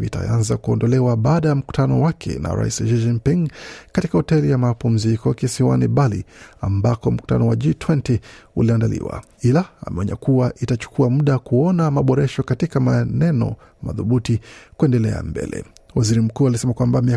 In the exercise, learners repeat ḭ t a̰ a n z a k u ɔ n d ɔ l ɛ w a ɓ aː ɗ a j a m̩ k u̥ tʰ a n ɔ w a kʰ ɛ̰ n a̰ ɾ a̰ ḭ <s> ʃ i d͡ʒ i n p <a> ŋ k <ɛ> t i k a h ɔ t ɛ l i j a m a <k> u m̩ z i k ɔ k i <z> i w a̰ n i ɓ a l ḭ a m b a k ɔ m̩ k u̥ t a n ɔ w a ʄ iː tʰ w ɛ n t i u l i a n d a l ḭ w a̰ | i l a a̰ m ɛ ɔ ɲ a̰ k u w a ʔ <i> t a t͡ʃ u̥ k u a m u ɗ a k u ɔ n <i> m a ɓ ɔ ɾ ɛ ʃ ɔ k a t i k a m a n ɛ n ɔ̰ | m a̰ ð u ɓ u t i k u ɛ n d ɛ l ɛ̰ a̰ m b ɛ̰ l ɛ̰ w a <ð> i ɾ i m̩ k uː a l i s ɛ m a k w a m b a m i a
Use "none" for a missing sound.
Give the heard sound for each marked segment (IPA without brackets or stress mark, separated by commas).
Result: s, i, a, p, s, i, a, z